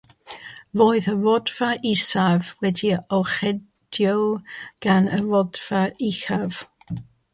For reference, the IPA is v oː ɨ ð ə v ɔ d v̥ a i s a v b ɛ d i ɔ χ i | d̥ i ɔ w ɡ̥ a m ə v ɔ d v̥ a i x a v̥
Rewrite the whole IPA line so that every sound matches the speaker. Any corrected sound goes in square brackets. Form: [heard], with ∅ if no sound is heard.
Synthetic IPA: v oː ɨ ð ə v ɔ d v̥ a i s a v [w] ɛ d i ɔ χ [ɛ] | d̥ [j] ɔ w ɡ̥ a [n] ə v ɔ d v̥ a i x a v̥